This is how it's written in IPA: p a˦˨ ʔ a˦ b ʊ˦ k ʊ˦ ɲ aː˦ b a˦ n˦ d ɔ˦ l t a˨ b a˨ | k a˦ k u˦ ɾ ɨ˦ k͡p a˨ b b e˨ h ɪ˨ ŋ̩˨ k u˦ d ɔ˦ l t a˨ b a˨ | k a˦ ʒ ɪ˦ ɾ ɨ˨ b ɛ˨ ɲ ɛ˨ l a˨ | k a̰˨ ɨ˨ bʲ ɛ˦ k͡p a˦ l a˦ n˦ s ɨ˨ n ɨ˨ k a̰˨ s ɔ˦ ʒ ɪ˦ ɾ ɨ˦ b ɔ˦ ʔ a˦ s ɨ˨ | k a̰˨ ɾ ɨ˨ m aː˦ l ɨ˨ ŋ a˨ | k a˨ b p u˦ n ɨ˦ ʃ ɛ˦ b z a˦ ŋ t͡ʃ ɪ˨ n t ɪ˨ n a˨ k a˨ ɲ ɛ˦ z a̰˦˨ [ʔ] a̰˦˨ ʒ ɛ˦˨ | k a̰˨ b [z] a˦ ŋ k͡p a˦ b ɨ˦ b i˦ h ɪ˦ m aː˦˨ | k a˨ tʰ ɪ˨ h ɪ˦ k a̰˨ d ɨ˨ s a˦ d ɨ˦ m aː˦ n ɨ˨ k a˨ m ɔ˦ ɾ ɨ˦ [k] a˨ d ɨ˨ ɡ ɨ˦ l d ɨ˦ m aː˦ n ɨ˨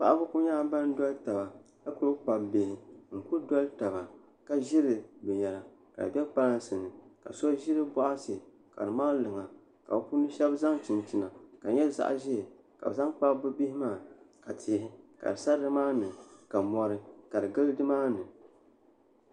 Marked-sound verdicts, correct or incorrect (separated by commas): correct, correct, correct